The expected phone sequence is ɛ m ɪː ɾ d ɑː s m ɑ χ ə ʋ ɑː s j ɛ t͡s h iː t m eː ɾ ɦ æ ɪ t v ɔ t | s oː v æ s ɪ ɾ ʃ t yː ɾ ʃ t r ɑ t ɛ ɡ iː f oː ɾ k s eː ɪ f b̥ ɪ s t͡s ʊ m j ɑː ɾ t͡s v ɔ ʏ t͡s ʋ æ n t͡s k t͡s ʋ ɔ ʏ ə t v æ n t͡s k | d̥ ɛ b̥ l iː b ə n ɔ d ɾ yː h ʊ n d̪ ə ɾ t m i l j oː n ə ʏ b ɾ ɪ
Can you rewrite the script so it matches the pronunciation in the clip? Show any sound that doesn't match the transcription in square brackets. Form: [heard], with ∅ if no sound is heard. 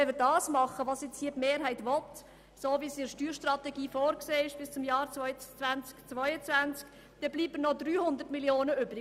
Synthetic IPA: ɛ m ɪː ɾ d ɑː s m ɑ χ ə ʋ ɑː s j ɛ t͡s h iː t m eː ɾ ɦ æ ɪ t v ɔ t | s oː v [i] s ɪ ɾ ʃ t yː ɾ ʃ t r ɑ t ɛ ɡ iː f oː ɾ k s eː ɪ [ʃ] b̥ ɪ s t͡s ʊ m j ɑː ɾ t͡s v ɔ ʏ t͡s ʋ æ n t͡s k t͡s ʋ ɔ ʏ ə [t͡s] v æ n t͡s k | d̥ ɛ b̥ l iː b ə n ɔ d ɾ yː h ʊ n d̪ ə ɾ t m i l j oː n ə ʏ b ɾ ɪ

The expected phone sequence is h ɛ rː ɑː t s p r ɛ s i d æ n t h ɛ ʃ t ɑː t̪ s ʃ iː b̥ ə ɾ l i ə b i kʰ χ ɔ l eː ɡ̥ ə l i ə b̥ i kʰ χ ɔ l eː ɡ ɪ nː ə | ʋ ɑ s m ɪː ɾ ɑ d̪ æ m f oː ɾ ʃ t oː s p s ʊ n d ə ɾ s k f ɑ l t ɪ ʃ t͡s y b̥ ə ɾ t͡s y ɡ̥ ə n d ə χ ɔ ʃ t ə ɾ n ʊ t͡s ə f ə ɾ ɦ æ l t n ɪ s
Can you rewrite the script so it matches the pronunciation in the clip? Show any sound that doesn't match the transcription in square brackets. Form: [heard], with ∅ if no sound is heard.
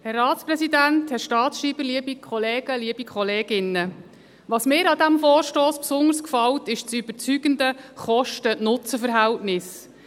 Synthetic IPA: h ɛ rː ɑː t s p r ɛ s i d æ n t h ɛ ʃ t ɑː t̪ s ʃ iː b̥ ə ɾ l i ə b i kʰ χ ɔ l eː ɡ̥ ə l i ə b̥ i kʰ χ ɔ l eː ɡ ɪ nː ə | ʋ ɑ s m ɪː ɾ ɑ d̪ æ m f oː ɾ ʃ t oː s p s ʊ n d ə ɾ s k f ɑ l t ɪ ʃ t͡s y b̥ ə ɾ t͡s y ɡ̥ ə n d ə χ ɔ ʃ t ə [∅] n ʊ t͡s ə f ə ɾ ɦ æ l t n ɪ s

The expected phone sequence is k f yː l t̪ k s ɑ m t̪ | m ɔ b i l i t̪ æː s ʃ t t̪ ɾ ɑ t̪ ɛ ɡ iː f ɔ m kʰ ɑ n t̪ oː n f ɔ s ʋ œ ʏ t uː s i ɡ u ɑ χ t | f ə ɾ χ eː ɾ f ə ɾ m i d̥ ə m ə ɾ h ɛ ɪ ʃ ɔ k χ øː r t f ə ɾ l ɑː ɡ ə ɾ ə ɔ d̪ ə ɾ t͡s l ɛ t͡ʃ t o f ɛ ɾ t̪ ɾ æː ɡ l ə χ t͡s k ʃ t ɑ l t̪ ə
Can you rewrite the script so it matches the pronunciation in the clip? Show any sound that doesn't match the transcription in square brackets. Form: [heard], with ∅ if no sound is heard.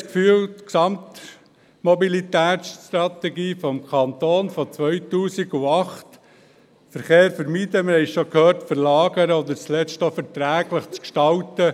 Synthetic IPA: k f yː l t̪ k s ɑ m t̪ | m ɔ b i l i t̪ æː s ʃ t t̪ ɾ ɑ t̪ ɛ ɡ iː f ɔ m kʰ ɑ n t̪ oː n f ɔ [t͡s] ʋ œ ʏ t uː s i ɡ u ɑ χ t | f ə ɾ χ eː ɾ f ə ɾ m i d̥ ə m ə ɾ h ɛ ɪ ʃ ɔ k [h] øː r t f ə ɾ l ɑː ɡ ə ɾ ə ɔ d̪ ə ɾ t͡s l ɛ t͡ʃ t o f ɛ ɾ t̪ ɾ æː ɡ l ə χ t͡s k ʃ t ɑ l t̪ ə

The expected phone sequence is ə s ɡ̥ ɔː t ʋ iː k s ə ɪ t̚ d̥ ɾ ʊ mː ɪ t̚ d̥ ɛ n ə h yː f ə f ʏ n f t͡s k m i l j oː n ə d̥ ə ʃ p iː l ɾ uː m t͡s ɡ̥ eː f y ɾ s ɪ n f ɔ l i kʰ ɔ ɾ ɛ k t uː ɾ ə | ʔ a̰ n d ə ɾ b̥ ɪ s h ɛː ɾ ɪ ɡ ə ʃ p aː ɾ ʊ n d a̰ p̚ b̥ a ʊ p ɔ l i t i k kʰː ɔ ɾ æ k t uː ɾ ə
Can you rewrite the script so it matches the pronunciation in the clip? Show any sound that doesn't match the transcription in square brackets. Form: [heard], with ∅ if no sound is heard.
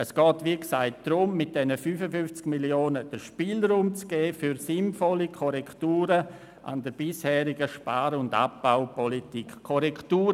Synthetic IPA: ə s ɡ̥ ɔː t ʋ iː k s [a] ɪ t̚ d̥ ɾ ʊ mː ɪ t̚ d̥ ɛ n ə [f] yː f ə f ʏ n f t͡s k m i l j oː n ə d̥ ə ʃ p iː l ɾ uː m t͡s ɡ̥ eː f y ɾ s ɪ n f ɔ l i kʰ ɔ ɾ ɛ k t uː ɾ ə | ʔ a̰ n d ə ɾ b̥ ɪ s h ɛː ɾ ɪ ɡ ə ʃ p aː ɾ ʊ n d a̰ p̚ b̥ a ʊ p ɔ l i t i k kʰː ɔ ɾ [ɛ] k t uː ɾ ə

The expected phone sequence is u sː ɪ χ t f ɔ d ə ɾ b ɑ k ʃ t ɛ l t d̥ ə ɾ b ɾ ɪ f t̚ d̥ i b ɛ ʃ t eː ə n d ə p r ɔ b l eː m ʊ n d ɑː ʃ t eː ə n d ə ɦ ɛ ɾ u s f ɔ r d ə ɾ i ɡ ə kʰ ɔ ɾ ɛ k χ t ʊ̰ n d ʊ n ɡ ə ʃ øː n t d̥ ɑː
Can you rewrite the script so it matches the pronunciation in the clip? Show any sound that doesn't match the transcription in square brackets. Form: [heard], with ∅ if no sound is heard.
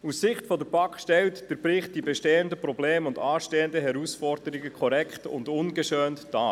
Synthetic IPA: u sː ɪ χ t f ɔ d ə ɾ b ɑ k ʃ t ɛ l t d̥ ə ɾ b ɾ ɪ [χ] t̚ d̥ i b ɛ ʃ t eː ə n d ə p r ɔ b l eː m ʊ n d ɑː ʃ t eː ə n d ə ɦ ɛ ɾ u s f ɔ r d ə ɾ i ɡ ə kʰ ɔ ɾ ɛ k χ t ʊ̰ n d ʊ n ɡ ə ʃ øː n t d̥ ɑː

